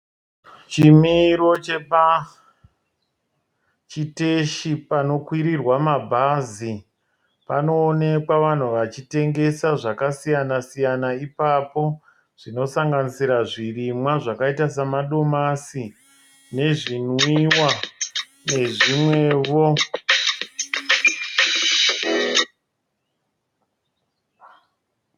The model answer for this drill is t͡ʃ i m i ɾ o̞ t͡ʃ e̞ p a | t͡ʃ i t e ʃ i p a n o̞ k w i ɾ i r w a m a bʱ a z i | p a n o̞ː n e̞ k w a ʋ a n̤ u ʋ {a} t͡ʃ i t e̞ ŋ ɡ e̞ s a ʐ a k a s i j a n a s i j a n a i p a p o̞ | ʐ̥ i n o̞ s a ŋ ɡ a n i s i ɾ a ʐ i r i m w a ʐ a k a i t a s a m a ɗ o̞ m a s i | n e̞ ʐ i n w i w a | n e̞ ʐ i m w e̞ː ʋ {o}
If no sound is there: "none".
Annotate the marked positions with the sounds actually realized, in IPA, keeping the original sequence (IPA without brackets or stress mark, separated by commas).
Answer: a, o